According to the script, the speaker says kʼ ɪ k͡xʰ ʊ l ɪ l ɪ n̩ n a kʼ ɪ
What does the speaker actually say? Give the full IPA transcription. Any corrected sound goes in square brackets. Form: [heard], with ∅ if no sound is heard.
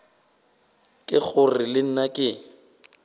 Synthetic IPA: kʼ ɪ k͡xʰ ʊ [r] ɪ l ɪ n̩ n a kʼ ɪ